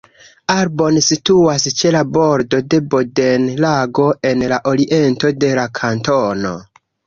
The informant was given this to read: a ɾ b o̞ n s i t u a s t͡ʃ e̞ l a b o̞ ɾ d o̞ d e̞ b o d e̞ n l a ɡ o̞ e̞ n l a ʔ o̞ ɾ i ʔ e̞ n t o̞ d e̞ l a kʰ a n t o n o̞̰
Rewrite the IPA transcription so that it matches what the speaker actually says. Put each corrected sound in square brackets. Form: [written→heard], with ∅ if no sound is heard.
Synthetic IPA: a ɾ b o̞ n s i t u a s t͡ʃ e̞ l a b o̞ ɾ d o̞ d e̞ b o d e̞ n l a ɡ o̞ e̞ n l a ʔ o̞ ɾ i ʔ e̞ n t o̞ d e̞ l a kʰ a n t o n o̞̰